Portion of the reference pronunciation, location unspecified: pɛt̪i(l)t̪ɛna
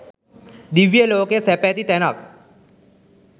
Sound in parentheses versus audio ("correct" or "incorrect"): incorrect